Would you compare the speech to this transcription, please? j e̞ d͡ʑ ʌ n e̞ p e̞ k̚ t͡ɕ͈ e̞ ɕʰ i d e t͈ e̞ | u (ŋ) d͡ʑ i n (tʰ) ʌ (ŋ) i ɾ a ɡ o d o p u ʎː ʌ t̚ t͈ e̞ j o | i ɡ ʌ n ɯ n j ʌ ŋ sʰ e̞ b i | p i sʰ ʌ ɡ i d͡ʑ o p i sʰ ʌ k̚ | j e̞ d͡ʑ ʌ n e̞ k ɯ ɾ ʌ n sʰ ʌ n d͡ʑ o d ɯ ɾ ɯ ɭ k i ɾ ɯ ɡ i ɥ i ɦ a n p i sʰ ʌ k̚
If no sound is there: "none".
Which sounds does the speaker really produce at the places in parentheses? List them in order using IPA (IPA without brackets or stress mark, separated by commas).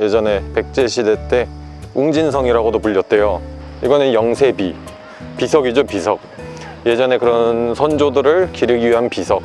ŋ, sʰ, ŋ